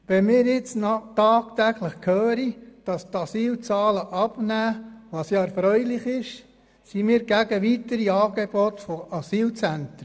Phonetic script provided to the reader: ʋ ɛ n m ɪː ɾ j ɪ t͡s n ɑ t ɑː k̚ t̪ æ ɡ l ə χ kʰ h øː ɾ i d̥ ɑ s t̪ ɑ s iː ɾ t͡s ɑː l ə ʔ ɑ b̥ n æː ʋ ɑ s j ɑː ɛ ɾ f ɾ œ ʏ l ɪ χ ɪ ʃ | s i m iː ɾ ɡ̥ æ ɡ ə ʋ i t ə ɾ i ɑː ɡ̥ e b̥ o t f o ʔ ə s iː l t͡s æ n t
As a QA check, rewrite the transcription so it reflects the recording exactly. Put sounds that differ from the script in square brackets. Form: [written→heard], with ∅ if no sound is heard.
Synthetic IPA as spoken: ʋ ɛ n m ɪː ɾ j ɪ t͡s n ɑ t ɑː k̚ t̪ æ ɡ l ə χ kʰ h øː ɾ i d̥ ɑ s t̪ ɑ s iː [ɾ→l] t͡s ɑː l ə ʔ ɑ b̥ n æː ʋ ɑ s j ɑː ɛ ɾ f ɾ œ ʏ l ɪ χ ɪ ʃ | s i m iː ɾ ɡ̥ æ ɡ ə ʋ i t ə ɾ i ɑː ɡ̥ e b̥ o t f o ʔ [ə→ɑ] s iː l t͡s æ n t